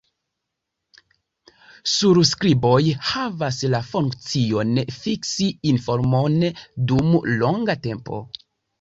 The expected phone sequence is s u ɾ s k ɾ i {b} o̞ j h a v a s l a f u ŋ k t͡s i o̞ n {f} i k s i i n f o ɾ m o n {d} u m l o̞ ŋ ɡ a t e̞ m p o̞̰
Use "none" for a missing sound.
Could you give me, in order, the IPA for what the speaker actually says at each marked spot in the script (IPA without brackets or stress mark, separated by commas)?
b, f, d